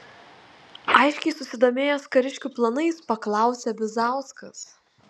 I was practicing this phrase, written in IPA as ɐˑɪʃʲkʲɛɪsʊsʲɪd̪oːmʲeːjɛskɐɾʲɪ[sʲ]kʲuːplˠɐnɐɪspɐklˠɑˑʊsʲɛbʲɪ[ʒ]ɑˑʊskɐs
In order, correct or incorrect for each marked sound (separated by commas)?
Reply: incorrect, incorrect